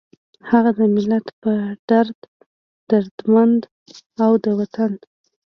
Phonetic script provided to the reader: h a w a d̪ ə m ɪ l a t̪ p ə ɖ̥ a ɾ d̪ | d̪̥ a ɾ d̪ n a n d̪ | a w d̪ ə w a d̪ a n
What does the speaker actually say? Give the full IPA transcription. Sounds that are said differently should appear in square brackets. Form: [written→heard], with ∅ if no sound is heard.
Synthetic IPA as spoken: h a [w→ɣ] a d̪ ə m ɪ l a t̪ p ə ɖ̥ a ɾ d̪ | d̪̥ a ɾ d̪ [n→m] a n d̪ | a w d̪ ə w a [d̪→t̪] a n